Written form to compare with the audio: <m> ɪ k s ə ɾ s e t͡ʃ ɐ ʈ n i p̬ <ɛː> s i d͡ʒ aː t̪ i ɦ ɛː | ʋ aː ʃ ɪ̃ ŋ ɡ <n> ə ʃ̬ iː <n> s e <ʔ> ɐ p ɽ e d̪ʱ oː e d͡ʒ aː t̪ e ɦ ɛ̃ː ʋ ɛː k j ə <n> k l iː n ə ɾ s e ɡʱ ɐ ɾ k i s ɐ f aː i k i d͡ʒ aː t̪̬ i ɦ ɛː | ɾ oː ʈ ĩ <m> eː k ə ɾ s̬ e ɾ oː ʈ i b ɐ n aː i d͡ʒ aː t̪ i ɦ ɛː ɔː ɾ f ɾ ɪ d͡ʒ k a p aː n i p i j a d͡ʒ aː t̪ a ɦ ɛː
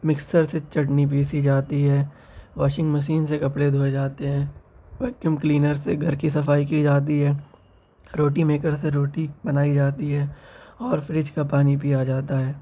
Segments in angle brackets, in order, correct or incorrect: correct, incorrect, incorrect, correct, incorrect, incorrect, correct

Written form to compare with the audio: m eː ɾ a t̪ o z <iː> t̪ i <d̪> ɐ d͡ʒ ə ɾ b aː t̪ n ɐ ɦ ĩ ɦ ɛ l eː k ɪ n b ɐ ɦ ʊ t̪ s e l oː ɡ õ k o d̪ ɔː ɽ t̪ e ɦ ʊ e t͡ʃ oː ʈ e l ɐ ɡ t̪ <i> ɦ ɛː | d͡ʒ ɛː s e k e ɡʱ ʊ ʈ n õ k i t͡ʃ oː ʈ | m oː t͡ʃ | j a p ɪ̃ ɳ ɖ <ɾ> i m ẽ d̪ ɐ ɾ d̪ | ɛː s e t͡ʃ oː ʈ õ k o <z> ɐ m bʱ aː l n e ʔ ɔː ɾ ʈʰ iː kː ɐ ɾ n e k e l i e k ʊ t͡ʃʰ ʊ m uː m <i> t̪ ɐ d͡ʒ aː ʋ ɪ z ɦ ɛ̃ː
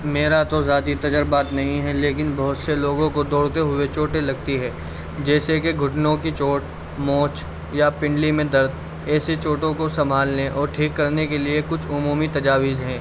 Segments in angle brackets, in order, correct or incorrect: incorrect, incorrect, correct, incorrect, incorrect, correct

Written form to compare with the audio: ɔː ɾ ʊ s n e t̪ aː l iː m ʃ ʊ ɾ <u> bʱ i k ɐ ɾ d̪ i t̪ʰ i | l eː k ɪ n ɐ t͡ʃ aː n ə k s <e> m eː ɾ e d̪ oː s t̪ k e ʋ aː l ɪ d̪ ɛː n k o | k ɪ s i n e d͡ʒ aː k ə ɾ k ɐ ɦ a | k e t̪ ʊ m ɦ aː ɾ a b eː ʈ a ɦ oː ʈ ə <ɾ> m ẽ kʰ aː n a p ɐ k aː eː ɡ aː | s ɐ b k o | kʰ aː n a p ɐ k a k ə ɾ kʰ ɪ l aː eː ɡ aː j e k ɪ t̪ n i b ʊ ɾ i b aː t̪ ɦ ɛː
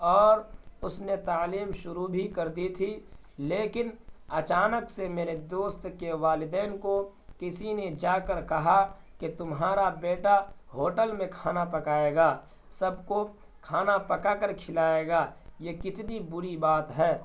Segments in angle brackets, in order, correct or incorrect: correct, correct, incorrect

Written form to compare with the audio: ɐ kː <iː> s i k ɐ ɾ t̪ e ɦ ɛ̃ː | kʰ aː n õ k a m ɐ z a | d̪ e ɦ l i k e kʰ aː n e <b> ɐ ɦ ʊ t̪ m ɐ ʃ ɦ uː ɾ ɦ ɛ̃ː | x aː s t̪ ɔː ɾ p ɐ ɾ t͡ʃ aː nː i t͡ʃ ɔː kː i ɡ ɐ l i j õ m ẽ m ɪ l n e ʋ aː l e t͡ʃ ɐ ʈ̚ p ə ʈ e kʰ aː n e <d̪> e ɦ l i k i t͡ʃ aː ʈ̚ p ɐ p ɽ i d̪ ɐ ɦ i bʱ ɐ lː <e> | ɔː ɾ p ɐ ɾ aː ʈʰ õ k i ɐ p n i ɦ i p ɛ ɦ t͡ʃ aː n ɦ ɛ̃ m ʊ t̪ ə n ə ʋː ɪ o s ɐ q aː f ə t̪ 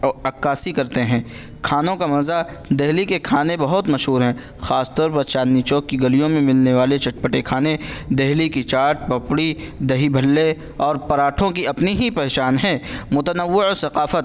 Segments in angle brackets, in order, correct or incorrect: incorrect, correct, correct, correct

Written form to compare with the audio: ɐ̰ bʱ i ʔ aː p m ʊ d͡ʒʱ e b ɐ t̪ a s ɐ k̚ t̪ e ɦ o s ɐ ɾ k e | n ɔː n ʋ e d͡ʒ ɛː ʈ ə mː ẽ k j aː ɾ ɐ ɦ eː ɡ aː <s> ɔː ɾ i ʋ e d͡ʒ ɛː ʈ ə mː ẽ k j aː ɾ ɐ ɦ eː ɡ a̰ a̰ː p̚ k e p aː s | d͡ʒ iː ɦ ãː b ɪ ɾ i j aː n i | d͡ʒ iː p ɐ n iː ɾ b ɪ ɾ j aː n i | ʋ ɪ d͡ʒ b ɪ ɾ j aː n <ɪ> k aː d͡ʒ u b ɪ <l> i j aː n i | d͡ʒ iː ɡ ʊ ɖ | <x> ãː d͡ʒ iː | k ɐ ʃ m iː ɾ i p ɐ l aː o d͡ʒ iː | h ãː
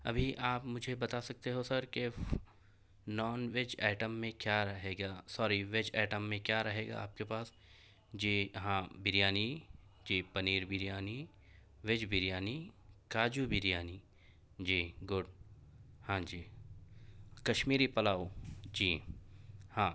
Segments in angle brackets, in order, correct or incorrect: correct, incorrect, incorrect, incorrect

